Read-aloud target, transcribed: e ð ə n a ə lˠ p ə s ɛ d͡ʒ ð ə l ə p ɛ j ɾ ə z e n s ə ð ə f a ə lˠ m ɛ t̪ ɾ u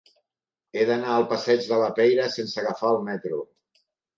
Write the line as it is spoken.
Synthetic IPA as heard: e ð ə n a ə lˠ p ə s ɛ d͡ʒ ð ə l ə p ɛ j ɾ ə s e n s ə ɣ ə f a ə lˠ m ɛ t̪ ɾ u

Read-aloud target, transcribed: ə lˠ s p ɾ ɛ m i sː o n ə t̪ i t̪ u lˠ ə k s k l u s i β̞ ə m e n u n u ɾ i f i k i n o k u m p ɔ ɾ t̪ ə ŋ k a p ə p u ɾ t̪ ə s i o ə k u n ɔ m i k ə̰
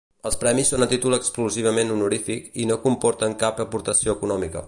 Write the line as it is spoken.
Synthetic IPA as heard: ə lˠ s p ɾ ɛ m i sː o n ə t̪ i t̪ u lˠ ə k s k l u z i β̞ ə m e n u n u ɾ i f i k i n o k u m p ɔ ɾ t̪ ə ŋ k a p ə p u ɾ t̪ ə s i o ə k u n ɔ m i k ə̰

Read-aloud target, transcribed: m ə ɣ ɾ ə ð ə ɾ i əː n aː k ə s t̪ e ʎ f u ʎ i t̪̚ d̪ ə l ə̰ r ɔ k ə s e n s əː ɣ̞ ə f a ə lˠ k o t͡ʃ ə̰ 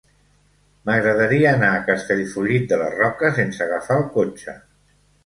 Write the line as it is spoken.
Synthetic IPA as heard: m ə ɣ ɾ ə ð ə ɾ i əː n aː k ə s t̪ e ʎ f u ʎ i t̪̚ d̪ ə l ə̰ r ɔ k ə s e n s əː ɣ̞ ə f a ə lˠ k o t͡ʃ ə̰

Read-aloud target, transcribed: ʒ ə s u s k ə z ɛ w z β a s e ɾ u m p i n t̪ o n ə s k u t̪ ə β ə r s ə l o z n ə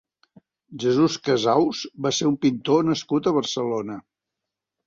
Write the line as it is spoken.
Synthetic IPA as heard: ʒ ə z u s k ə z a w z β a s e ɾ u m p i n t̪ o n ə s k u t̪ ə β ə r s ə l o n ə

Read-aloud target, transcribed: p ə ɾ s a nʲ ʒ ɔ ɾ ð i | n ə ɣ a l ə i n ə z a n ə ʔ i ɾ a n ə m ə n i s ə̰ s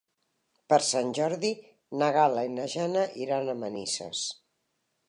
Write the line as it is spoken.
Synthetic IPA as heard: p ə ɾ s a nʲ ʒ ɔ ɾ ð i | n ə ɣ a l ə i n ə ʒ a n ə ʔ i ɾ a n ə m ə n i s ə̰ s

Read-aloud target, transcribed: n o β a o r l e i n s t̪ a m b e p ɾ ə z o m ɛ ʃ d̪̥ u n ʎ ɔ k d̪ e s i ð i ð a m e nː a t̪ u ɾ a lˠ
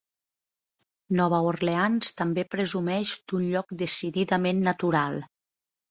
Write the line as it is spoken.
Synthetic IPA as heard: n ɔ β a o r l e a n s t̪ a m b e p ɾ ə z u m ɛ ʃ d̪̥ u n ʎ ɔ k d̪ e s i ð i ð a m e nː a t̪ u ɾ a lˠ

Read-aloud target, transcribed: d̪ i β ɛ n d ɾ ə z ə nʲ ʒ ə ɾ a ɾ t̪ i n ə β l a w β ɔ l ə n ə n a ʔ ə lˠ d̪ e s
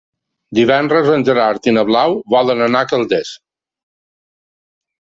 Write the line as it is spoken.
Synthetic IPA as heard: d̪ i β ɛ n d ɾ ə z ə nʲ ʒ ə ɾ a ɾ t̪ i n ə β l a w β ɔ l ə n ə n a k ə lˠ d̪ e s

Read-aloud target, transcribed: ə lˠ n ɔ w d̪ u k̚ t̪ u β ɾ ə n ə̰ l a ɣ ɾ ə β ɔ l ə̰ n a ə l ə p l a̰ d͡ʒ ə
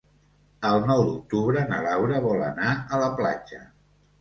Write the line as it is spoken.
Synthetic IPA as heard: ə lˠ n ɔ w d̪ u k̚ t̪ u β ɾ ə n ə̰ l a w ɾ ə β ɔ l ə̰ n a ə l ə p l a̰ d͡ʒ ə

